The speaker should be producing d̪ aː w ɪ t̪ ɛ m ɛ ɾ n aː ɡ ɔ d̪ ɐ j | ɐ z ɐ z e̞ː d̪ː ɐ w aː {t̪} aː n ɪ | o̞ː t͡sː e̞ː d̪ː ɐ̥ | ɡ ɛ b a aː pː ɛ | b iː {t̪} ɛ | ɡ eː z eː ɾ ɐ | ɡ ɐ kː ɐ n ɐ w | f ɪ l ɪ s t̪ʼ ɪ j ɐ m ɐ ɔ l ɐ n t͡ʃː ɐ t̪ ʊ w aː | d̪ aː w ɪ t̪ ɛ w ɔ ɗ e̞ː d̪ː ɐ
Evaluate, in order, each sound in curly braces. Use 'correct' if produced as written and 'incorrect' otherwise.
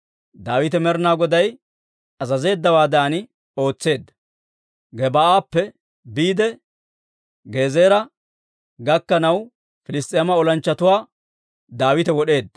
incorrect: d̪, incorrect: d̪

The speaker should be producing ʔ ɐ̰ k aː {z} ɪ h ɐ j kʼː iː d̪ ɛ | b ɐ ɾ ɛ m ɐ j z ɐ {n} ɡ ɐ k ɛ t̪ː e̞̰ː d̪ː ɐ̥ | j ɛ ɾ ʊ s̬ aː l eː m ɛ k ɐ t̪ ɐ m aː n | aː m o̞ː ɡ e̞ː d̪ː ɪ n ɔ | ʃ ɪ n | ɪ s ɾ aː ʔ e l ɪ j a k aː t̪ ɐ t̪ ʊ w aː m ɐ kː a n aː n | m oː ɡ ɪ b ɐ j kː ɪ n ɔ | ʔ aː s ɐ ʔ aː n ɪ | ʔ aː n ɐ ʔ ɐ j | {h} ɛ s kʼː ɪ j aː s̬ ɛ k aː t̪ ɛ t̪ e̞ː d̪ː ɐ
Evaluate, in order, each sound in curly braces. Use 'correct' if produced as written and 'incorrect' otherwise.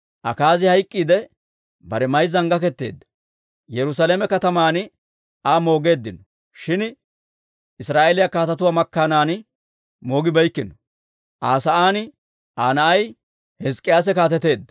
correct, incorrect: ŋ, correct

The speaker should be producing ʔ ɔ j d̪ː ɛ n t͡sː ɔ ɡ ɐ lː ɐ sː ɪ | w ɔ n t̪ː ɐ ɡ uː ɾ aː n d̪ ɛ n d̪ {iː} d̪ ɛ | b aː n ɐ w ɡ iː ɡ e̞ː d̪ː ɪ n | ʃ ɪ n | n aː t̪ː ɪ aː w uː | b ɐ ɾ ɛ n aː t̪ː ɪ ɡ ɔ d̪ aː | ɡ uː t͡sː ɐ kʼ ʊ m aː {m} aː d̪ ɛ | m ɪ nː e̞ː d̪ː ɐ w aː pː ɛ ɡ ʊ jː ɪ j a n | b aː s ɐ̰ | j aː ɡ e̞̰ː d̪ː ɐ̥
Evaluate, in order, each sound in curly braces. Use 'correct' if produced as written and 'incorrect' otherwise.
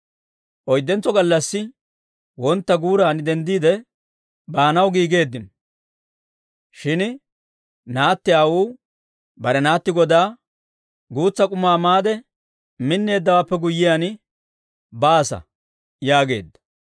correct, correct

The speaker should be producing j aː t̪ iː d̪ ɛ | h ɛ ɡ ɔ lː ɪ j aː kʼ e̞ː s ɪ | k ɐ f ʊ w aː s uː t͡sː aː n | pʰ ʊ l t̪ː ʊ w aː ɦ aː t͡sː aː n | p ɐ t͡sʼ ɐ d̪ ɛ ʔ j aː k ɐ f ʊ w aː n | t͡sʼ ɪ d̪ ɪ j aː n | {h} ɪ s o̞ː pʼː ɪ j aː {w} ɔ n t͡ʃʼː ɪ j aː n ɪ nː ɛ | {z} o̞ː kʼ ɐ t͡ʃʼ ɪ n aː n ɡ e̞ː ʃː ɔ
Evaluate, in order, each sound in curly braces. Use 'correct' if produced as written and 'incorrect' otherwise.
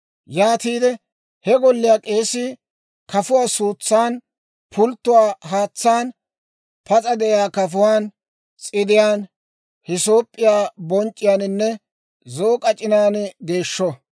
correct, incorrect: b, correct

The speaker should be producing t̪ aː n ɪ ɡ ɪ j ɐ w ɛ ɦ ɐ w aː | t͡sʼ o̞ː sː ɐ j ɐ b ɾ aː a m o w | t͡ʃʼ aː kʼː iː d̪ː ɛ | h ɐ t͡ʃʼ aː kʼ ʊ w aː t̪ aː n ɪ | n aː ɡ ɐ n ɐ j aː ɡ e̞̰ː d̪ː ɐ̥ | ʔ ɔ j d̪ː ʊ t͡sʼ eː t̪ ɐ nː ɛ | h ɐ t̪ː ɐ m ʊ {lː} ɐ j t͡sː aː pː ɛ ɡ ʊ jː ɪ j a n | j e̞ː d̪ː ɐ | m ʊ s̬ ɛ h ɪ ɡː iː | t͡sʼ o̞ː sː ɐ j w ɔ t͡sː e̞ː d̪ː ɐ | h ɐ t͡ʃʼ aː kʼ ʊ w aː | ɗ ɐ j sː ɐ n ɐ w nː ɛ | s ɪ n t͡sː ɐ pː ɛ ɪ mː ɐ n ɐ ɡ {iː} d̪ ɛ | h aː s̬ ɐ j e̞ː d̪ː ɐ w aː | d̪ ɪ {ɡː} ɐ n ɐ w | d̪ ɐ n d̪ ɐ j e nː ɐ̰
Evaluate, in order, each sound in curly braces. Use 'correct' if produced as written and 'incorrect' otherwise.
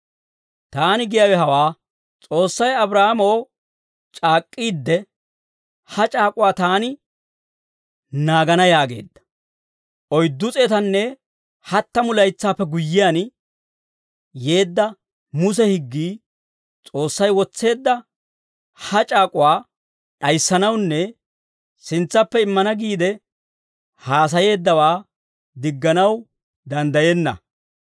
incorrect: l, correct, correct

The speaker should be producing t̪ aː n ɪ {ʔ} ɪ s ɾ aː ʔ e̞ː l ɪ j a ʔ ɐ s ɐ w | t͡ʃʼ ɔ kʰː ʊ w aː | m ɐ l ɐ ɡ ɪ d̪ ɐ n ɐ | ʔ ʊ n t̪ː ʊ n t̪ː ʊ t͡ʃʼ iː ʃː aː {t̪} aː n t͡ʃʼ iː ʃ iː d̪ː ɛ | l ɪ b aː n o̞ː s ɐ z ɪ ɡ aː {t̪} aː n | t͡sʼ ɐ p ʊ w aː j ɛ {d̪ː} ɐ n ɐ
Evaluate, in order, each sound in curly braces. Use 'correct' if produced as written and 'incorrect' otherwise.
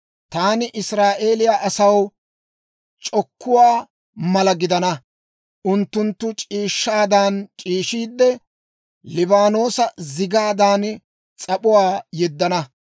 correct, incorrect: d̪, incorrect: d̪, correct

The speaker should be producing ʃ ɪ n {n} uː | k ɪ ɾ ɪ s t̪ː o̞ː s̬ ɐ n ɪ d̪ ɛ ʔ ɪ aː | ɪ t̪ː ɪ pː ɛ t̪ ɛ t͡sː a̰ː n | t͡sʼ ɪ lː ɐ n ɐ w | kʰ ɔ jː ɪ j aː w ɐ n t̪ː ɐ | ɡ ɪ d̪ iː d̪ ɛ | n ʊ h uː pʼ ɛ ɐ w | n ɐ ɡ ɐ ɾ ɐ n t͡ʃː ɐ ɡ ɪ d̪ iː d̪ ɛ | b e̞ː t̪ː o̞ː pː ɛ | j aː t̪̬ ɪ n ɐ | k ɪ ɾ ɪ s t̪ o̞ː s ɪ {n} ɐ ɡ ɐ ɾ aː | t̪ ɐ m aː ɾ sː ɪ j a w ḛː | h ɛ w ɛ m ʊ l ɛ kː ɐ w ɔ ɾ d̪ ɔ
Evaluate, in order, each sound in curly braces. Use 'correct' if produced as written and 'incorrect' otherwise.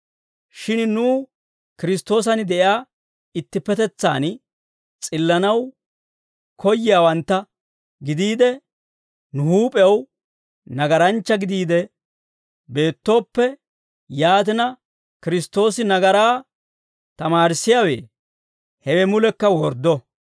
correct, correct

